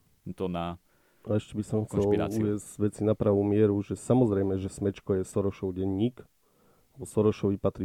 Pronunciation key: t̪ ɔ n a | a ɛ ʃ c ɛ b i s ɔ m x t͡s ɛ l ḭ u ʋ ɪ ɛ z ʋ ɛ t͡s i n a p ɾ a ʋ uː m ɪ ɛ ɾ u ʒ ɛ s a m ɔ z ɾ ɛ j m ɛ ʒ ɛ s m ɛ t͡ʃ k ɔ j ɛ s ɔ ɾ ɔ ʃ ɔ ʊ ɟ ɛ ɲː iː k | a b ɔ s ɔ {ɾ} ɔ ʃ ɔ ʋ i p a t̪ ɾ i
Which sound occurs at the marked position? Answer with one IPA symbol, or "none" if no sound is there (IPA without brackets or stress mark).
ɾ